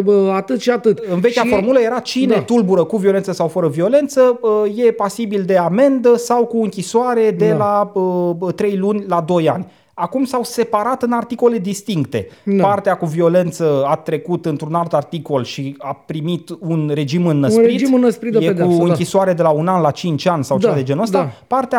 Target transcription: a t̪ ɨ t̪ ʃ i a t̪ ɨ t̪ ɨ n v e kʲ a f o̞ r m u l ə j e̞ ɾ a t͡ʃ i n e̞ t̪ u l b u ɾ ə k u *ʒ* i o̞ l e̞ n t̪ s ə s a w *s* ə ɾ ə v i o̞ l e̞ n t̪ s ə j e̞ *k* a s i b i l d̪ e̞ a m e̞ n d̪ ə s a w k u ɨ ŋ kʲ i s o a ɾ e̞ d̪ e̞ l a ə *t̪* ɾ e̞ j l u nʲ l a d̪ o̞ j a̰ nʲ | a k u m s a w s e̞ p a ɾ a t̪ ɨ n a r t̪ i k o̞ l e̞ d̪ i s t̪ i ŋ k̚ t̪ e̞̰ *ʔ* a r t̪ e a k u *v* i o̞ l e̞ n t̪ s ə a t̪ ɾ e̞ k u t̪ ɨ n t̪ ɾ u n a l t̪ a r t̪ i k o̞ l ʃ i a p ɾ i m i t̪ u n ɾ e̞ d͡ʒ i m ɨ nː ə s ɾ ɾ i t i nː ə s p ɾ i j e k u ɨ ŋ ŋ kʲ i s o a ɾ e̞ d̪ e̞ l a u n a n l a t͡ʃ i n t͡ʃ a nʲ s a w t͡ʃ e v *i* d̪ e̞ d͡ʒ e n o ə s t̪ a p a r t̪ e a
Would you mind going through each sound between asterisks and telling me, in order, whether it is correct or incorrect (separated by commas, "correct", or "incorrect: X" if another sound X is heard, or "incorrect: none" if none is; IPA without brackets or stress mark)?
incorrect: v, incorrect: f, incorrect: p, correct, incorrect: p, correct, incorrect: a